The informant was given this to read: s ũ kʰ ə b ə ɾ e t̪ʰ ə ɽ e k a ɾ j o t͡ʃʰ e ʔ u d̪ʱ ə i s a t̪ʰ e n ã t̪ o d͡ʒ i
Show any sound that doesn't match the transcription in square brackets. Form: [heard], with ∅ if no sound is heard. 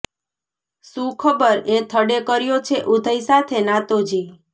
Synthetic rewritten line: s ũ kʰ ə b ə ɾ e t̪ʰ ə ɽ e k [ə] ɾ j o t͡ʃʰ e ʔ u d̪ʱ ə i s a t̪ʰ e n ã t̪ o d͡ʒ i